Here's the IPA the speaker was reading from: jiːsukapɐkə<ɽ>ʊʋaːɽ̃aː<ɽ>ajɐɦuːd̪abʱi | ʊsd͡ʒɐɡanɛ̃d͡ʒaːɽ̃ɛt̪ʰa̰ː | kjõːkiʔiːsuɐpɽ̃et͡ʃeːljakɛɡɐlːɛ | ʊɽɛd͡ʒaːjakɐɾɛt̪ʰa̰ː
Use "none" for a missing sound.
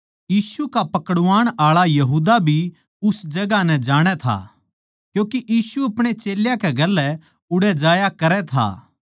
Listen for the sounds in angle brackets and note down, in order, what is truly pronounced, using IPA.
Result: ɽ, ɭ

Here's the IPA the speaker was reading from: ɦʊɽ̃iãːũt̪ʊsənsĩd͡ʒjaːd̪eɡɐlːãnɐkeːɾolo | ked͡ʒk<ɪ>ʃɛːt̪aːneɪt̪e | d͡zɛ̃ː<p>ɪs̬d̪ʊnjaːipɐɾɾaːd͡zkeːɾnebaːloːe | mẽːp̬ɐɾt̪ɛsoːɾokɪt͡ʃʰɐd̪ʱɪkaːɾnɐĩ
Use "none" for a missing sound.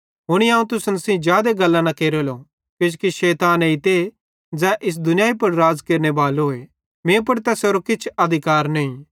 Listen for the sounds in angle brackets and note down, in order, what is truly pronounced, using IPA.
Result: i, ʔ

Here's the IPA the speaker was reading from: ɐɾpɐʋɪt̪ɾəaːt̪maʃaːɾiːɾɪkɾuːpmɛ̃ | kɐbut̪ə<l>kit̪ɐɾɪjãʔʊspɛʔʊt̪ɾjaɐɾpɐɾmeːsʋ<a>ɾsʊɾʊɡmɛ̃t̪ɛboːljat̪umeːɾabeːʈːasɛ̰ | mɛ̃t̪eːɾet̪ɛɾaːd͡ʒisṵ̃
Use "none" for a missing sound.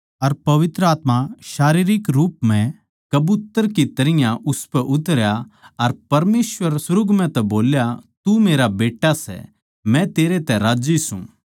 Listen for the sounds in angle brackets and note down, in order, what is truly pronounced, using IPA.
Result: ɾ, ə

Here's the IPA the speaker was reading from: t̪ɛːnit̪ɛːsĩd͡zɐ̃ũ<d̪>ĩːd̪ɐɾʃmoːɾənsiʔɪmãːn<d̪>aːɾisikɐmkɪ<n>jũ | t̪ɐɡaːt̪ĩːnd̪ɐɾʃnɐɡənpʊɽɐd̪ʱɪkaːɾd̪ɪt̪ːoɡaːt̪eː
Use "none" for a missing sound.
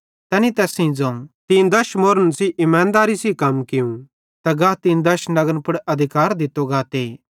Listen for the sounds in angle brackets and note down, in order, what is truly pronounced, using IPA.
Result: t̪, d̪, none

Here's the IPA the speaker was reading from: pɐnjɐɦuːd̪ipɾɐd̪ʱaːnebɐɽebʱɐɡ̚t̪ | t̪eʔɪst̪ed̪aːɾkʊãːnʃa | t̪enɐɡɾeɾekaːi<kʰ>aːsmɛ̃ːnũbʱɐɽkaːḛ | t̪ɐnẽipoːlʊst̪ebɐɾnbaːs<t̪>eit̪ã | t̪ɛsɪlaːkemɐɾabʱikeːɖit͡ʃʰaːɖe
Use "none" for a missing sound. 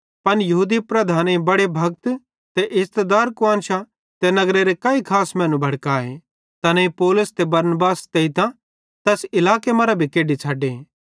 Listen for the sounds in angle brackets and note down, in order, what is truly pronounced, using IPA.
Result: kʰ, t̪

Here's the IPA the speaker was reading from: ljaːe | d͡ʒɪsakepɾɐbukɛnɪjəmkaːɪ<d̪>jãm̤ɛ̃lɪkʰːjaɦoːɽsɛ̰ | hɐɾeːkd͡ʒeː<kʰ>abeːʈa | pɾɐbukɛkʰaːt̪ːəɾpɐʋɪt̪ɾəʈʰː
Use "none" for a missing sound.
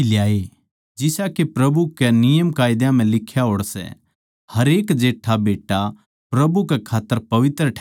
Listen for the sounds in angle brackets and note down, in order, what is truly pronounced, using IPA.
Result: d̪, ʈʰ

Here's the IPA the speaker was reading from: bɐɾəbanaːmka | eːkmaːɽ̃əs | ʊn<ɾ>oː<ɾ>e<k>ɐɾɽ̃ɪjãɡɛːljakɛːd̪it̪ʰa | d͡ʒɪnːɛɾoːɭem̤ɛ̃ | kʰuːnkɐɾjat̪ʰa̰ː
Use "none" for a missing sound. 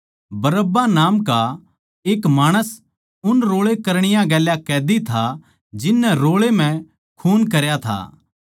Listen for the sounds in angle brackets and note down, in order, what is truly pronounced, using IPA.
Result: ɾ, ɭ, k

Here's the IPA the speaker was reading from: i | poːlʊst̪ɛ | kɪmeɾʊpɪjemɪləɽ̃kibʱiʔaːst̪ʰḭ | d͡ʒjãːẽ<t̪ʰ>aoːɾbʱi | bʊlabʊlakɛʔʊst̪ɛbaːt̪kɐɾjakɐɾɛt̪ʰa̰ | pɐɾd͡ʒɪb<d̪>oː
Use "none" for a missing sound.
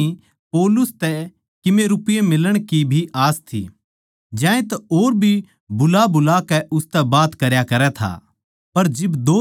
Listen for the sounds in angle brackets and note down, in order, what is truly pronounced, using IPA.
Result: t̪, d̪

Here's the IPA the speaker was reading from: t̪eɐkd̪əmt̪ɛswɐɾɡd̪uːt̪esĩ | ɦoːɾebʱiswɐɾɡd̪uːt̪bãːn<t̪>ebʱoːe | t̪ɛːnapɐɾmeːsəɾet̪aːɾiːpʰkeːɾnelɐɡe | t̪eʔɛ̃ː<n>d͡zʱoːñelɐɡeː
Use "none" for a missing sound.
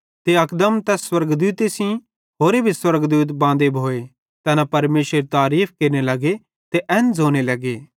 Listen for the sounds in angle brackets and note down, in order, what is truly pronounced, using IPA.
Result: d̪, n

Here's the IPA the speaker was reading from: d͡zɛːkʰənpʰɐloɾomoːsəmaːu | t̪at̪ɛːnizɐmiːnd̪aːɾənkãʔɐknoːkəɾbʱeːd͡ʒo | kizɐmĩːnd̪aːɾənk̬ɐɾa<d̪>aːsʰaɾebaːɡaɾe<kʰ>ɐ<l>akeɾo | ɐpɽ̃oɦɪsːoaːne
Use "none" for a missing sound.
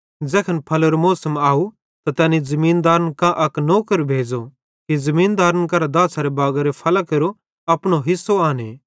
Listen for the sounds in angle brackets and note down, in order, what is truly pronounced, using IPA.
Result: d̪, pʰ, l

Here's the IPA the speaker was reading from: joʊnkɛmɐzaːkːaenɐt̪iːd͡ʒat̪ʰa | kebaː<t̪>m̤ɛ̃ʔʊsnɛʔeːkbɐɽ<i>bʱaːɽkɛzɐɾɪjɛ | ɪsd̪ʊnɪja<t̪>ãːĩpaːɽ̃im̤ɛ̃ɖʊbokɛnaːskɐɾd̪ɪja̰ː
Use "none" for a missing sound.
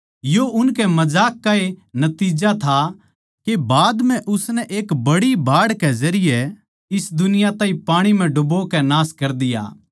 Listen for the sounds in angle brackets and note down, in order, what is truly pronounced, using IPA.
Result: d̪, i, t̪

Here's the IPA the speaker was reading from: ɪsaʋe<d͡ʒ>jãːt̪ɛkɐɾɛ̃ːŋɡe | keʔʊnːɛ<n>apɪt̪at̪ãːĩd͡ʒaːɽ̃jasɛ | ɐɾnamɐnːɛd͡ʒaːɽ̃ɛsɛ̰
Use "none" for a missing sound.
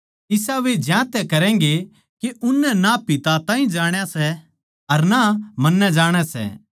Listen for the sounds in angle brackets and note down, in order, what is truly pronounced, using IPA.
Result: d͡ʒ, n

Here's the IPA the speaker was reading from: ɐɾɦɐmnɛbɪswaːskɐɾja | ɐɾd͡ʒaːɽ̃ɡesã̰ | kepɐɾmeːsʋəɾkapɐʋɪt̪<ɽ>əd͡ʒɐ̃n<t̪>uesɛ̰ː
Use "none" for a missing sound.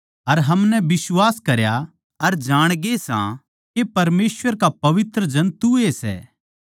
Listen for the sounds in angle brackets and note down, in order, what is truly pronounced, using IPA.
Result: ɾ, t̪

